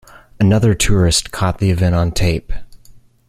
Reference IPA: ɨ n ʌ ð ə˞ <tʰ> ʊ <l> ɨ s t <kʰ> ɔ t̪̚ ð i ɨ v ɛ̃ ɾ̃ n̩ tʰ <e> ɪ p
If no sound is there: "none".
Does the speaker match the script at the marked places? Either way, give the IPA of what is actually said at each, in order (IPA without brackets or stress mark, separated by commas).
tʰ, ɹ, kʰ, e